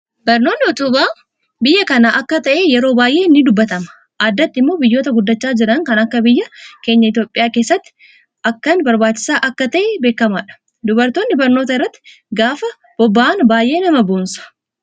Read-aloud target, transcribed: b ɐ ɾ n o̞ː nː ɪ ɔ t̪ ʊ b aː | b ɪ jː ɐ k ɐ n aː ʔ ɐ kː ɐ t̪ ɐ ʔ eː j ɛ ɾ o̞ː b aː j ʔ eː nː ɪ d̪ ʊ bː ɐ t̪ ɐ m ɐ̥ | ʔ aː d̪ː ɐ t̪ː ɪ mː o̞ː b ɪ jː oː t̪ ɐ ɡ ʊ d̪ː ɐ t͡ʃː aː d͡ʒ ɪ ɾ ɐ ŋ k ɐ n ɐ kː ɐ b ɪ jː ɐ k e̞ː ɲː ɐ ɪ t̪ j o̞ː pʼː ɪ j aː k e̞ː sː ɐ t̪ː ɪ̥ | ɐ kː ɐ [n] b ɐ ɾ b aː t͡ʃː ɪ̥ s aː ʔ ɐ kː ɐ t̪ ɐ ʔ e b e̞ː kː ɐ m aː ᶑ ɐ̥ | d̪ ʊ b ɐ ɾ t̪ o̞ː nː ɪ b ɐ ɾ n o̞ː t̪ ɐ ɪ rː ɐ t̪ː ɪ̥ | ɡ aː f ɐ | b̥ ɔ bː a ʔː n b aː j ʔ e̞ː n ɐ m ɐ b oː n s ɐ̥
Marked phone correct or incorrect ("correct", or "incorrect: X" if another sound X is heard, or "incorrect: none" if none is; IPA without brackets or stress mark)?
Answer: correct